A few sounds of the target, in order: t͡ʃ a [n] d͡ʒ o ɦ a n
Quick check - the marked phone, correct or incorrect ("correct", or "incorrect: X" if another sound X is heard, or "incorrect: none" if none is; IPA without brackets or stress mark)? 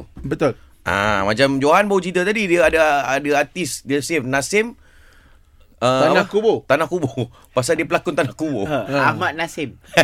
incorrect: m